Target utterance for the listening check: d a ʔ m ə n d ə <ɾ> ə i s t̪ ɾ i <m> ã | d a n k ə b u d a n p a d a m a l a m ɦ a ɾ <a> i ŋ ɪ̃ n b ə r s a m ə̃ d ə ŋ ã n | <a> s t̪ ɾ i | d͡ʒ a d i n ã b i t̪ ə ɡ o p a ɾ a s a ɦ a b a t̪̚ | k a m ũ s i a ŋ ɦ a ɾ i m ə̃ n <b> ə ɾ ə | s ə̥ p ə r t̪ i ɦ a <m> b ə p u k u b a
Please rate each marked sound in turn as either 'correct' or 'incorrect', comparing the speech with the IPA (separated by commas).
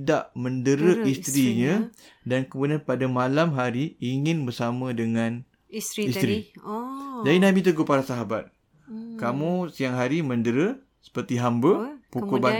correct, incorrect, incorrect, incorrect, incorrect, correct